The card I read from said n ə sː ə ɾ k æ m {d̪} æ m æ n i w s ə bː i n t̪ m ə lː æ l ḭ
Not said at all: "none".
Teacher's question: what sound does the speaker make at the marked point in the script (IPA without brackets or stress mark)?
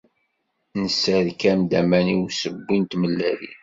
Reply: d̪